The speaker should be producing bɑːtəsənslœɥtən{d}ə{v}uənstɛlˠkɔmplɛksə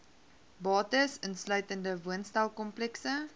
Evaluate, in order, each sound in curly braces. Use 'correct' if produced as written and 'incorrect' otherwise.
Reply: correct, correct

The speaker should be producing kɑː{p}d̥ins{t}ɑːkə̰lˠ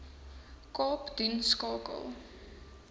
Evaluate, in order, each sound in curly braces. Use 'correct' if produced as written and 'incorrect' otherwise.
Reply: correct, incorrect

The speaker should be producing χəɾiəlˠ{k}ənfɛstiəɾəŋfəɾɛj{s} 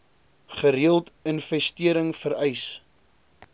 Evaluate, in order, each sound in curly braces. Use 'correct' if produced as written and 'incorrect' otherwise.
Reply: incorrect, correct

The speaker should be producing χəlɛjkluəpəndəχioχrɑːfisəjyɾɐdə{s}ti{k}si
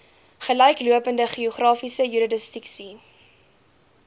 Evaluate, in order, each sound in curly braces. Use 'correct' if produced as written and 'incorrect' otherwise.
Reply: correct, correct

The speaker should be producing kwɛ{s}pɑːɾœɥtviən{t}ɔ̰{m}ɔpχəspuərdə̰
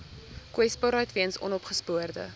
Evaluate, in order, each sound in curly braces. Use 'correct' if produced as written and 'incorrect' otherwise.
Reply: correct, incorrect, incorrect

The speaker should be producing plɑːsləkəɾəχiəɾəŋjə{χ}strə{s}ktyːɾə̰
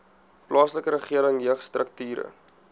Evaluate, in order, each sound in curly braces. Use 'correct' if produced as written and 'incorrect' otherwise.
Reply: correct, incorrect

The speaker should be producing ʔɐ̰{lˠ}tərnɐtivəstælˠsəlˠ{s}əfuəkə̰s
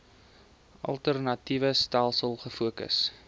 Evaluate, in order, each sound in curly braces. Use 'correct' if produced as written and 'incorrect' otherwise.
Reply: correct, incorrect

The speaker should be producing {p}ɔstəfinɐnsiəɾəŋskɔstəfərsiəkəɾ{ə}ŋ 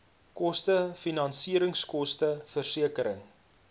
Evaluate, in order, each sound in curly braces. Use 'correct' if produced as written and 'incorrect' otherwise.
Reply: incorrect, correct

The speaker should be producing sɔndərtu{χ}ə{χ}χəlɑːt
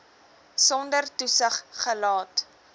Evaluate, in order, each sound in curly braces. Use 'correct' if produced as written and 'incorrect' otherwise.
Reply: incorrect, correct

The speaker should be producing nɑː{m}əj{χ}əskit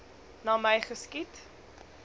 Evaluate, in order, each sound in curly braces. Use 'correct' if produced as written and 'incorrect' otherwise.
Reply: correct, correct

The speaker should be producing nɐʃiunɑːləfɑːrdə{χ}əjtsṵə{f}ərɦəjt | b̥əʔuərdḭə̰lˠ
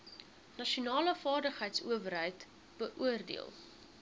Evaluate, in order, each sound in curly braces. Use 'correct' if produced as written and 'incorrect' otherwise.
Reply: correct, incorrect

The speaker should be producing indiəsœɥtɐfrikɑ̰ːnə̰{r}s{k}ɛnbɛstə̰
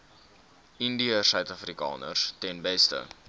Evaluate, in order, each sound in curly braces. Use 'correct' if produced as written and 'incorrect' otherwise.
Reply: correct, incorrect

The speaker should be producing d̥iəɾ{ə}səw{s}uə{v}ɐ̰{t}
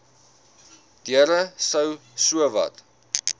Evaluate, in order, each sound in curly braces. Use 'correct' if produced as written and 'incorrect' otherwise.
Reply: correct, correct, correct, correct

